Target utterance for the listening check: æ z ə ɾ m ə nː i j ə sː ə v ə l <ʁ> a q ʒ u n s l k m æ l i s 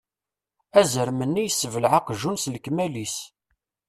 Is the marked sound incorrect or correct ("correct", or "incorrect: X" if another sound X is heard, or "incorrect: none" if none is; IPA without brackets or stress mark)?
incorrect: ʕ